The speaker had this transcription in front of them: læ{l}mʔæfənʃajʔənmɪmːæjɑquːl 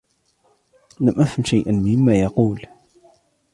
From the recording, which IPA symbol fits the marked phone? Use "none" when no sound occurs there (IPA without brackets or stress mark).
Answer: none